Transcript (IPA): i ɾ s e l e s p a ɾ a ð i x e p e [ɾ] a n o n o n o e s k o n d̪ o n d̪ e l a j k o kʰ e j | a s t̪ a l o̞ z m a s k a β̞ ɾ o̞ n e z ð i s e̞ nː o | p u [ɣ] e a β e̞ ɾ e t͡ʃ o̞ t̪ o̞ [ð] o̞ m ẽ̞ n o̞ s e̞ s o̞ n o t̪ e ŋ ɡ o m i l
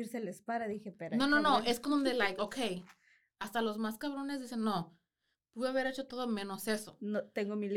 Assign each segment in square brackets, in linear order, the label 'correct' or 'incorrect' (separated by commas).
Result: correct, incorrect, correct